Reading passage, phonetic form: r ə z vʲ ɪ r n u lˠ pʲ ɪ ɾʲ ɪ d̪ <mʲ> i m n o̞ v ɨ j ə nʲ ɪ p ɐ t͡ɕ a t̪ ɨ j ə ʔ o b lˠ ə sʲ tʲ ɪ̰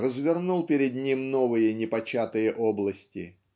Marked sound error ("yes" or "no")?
yes